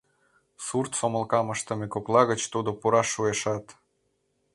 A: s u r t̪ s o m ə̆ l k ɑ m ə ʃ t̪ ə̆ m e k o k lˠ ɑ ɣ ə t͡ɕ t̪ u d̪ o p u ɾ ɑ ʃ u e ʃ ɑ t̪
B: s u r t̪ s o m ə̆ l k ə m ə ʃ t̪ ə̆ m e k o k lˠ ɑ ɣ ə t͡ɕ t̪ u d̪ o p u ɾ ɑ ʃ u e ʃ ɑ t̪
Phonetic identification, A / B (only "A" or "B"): A